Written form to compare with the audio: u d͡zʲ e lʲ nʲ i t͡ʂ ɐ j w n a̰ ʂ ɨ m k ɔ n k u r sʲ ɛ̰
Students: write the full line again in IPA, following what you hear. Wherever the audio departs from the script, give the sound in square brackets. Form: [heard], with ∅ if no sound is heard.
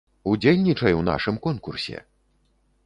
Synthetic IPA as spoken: u d͡zʲ e lʲ nʲ i t͡ʂ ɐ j w n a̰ ʂ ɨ m k ɔ n k u r sʲ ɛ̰